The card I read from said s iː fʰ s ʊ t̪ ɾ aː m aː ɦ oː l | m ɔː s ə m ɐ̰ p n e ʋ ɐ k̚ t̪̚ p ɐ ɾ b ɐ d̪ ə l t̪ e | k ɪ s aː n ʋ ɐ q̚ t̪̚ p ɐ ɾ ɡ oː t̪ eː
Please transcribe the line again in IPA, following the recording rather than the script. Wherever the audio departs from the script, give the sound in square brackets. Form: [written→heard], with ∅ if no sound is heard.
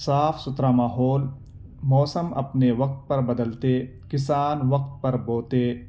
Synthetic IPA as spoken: s [iː→aː] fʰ s ʊ t̪ ɾ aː m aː ɦ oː l | m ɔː s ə m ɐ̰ p n e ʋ ɐ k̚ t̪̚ p ɐ ɾ b ɐ d̪ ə l t̪ e | k ɪ s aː n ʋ ɐ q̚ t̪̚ p ɐ ɾ [ɡ→b] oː t̪ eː